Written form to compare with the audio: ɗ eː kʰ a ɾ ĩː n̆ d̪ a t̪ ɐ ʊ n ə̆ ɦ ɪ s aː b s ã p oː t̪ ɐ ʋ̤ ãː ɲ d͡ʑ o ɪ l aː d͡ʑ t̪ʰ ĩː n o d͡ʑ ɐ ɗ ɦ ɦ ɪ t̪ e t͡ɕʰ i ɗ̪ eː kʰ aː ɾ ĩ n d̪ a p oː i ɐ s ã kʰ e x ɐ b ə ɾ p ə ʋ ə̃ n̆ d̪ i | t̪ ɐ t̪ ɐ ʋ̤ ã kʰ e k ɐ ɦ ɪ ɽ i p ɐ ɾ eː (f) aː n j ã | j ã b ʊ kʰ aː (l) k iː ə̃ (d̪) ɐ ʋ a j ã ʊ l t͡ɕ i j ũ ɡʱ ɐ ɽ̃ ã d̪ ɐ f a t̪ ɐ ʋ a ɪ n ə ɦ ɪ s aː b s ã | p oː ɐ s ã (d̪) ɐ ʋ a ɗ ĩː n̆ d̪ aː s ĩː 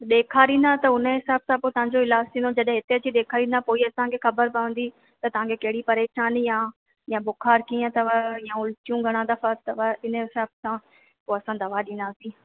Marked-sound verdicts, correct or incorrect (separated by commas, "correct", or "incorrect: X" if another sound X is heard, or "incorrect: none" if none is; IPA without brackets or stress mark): incorrect: ʃ, incorrect: ɾ, incorrect: t̪, correct